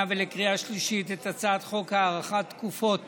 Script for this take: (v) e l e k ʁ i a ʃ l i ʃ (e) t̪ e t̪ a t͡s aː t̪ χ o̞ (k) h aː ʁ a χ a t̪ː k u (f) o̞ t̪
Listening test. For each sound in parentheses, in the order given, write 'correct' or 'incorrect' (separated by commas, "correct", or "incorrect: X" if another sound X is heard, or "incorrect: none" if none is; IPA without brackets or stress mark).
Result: correct, incorrect: i, correct, correct